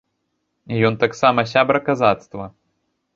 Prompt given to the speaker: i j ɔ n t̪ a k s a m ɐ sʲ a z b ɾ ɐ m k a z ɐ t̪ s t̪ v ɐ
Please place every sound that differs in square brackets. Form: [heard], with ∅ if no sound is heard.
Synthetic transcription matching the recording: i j ɔ n t̪ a k s a m ɐ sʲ a [∅] b ɾ ɐ [∅] k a z [a] t̪ s t̪ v ɐ